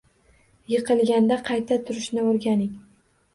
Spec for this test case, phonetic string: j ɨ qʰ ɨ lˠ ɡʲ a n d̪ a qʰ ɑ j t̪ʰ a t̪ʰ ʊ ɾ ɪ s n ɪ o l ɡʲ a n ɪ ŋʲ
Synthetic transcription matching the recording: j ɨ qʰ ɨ lˠ ɡʲ a n d̪ a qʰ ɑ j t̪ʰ a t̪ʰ ʊ ɾ ɪ ʃ n ɪ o ɾ ɡʲ a n ɪ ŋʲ